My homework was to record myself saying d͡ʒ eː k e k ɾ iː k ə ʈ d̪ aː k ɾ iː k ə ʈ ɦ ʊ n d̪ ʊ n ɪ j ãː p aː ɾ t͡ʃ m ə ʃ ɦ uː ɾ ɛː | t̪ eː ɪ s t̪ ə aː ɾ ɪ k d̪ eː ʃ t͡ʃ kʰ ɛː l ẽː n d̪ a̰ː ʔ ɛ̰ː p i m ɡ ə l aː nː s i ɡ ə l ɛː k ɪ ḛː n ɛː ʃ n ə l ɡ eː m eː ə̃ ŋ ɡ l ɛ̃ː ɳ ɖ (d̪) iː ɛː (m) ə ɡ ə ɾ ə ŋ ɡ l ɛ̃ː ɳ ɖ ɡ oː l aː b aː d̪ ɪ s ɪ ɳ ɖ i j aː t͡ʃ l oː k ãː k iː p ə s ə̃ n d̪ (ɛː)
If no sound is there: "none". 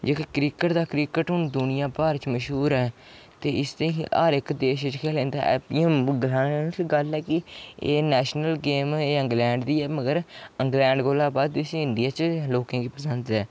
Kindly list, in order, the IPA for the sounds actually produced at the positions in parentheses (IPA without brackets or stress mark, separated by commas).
d̪, m, ɛː